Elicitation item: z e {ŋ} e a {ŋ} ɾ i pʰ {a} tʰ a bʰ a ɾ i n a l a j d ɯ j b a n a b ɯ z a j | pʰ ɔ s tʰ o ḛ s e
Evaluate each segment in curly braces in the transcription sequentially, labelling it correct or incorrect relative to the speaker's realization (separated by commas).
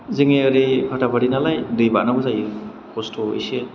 correct, incorrect, correct